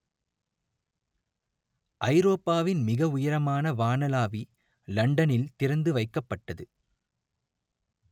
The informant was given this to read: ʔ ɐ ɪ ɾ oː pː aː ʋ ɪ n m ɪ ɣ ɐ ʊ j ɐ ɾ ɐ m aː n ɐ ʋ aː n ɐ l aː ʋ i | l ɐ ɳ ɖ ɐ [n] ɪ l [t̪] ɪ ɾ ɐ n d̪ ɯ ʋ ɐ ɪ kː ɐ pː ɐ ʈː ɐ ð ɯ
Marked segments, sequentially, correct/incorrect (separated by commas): correct, correct